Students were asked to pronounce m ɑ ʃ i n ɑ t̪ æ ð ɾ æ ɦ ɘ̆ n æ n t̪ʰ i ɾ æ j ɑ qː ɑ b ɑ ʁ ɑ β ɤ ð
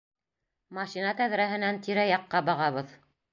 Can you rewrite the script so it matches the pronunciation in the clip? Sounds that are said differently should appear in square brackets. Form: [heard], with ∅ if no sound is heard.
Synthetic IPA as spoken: m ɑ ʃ i n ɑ t̪ æ ð ɾ æ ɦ ɘ̆ n æ n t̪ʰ i ɾ æ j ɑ qː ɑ b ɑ ʁ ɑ β ɤ ð

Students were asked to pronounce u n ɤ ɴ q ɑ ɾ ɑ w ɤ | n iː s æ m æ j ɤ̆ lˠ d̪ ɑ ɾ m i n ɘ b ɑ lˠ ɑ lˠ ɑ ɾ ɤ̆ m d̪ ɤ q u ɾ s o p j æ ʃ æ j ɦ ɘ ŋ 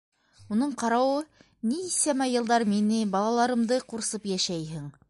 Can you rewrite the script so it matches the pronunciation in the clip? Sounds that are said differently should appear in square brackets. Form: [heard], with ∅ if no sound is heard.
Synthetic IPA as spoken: u n ɤ ɴ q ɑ ɾ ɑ w ɤ | n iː s æ m æ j ɤ̆ lˠ d̪ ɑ ɾ m i n ɘ b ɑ lˠ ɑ lˠ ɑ ɾ ɤ̆ m d̪ ɤ q u ɾ s [ɤ] p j æ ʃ æ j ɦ ɘ ŋ

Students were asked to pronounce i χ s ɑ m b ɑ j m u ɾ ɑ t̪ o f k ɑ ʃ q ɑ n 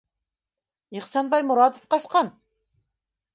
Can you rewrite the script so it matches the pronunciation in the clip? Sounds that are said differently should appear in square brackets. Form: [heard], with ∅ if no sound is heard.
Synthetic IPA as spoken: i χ s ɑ [n] b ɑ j m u ɾ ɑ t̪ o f [q] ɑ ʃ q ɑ n

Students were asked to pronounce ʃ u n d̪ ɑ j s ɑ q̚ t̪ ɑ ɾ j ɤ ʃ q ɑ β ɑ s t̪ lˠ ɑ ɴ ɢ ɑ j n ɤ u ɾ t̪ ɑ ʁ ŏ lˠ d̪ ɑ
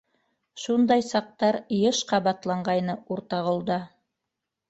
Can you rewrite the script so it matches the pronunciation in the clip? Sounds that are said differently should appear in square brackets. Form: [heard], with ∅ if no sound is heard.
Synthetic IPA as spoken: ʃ u n d̪ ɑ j s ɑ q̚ t̪ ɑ ɾ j ɤ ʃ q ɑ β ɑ [∅] t̪ lˠ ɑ ɴ ɢ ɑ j n ɤ u ɾ t̪ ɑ ʁ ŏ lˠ d̪ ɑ

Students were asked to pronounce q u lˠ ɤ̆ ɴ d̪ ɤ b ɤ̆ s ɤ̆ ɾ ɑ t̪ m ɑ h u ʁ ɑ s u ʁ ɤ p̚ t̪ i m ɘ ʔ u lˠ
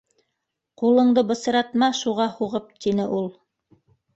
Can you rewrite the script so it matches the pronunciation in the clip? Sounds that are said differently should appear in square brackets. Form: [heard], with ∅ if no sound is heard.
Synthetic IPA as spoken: q u lˠ ɤ̆ ɴ d̪ ɤ b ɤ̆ s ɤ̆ ɾ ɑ t̪ m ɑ [ʃ] u ʁ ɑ [h] u ʁ ɤ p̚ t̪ i [n] ɘ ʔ u lˠ

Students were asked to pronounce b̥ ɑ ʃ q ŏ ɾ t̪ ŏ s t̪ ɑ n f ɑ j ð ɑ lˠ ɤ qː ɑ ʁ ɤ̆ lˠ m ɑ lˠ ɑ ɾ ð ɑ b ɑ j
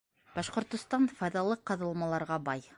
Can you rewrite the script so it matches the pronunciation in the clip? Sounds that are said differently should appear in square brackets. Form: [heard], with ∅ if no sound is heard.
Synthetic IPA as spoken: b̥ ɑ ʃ q ŏ ɾ t̪ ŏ s t̪ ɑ n f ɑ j ð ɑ lˠ ɤ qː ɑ [ð] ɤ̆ lˠ m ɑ lˠ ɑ ɾ [ʁ] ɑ b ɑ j

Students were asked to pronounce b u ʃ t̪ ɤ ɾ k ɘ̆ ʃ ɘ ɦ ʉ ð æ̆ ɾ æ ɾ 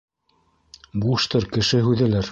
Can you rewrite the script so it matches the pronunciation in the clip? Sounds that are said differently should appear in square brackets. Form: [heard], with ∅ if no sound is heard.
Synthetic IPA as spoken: b u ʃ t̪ ɤ ɾ k ɘ̆ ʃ ɘ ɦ ʉ ð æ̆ [l] æ ɾ

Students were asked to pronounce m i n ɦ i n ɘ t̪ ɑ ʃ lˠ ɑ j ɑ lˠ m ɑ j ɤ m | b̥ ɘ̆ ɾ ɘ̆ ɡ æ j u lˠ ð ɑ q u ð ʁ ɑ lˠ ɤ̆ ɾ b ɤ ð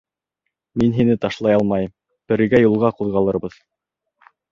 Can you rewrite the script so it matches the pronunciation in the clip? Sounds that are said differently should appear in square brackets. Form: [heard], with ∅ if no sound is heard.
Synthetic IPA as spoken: m i n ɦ i n ɘ t̪ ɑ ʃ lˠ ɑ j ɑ lˠ m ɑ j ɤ m | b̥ ɘ̆ ɾ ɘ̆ ɡ æ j u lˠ [ʁ] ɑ q u ð ʁ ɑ lˠ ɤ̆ ɾ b ɤ ð

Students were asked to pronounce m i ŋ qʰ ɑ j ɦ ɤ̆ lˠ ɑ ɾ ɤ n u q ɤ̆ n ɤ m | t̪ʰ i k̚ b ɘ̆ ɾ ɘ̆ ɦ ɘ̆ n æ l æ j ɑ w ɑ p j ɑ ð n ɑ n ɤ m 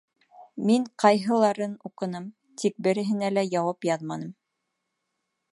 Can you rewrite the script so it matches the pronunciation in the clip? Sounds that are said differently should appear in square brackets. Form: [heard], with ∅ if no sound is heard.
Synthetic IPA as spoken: m i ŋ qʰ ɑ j ɦ ɤ̆ lˠ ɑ ɾ ɤ n u q ɤ̆ n ɤ m | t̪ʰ i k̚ b ɘ̆ ɾ ɘ̆ ɦ ɘ̆ n æ l æ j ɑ w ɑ p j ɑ ð [m] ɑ n ɤ m

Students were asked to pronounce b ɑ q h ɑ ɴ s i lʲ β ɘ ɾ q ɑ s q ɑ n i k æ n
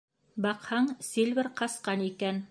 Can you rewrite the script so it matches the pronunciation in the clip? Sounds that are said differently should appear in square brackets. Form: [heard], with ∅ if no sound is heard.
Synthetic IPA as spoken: b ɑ q h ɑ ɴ s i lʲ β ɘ ɾ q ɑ s q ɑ n i k æ n

